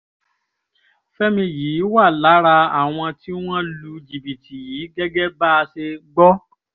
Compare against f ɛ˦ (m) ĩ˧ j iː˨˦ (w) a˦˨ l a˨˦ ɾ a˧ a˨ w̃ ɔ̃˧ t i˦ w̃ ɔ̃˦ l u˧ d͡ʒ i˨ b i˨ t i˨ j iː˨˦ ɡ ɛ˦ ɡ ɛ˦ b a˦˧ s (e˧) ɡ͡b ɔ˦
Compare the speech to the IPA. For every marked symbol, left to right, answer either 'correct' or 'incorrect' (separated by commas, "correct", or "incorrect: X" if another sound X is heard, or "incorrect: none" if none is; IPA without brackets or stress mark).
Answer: correct, correct, correct